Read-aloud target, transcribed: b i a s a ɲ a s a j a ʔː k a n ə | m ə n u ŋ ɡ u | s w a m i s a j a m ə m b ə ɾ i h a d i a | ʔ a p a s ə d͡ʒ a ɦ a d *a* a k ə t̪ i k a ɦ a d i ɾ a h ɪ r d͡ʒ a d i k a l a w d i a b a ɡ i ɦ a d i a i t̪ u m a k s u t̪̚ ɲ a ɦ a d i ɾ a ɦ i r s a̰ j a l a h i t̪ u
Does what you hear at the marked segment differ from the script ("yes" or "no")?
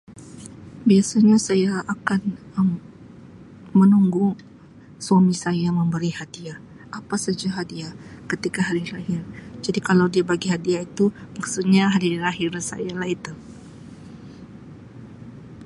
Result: yes